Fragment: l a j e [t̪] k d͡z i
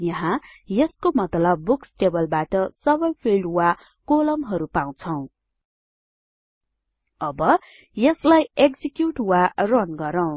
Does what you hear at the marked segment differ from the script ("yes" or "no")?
yes